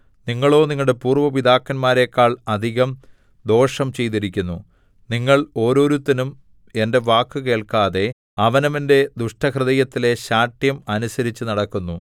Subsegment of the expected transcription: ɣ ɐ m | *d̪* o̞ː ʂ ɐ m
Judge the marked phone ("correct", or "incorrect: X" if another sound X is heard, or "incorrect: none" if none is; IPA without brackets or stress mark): correct